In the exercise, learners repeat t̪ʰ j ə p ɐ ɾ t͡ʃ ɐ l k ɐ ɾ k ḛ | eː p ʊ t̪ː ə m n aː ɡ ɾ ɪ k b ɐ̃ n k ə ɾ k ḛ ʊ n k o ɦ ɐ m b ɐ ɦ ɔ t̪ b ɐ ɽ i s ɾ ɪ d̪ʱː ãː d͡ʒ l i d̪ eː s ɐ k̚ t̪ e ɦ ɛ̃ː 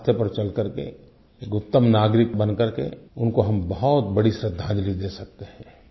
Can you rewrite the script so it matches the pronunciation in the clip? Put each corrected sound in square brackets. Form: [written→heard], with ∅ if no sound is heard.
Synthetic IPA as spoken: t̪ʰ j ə p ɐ ɾ t͡ʃ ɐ l k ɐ ɾ k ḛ | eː [p→k] ʊ t̪ː ə m n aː ɡ ɾ ɪ k b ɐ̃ n k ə ɾ k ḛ ʊ n k o ɦ ɐ m b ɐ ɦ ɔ t̪ b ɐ ɽ i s ɾ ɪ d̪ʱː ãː d͡ʒ l i d̪ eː s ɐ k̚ t̪ e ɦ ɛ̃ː